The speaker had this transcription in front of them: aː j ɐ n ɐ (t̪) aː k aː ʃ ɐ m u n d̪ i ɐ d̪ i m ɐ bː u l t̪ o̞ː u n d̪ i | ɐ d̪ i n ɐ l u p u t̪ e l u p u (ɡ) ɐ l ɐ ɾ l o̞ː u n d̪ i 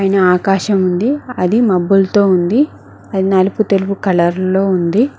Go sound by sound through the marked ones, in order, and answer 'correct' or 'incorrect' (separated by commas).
incorrect, incorrect